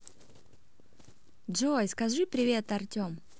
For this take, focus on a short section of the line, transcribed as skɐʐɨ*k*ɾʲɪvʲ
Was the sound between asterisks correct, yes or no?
no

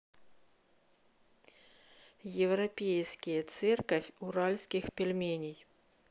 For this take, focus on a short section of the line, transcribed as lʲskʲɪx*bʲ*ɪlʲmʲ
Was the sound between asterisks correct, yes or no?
no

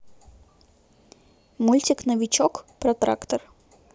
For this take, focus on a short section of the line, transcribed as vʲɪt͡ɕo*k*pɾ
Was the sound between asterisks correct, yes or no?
yes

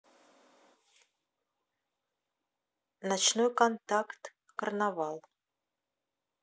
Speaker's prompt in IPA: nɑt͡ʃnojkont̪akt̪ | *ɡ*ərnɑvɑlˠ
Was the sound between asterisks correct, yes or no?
no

